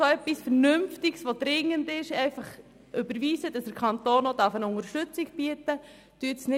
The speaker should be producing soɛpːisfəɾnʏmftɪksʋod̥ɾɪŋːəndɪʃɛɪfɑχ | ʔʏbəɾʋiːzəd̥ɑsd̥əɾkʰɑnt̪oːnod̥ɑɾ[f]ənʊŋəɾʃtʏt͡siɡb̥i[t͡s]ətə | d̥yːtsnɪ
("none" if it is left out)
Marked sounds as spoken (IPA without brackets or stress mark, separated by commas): f, none